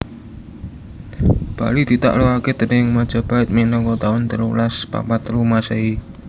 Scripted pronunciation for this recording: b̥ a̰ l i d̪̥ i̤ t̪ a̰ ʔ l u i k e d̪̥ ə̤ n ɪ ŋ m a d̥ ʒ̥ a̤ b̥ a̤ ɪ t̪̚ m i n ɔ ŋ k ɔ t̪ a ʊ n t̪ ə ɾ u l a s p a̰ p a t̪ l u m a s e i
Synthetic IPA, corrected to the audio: b̥ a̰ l i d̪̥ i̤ t̪ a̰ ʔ l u a k e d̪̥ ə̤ n ɪ ŋ m a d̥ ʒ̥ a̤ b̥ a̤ ɪ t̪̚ m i n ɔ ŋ k ɔ t̪ a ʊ n t̪ ə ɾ u l a s p a̰ p a t̪ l u m a s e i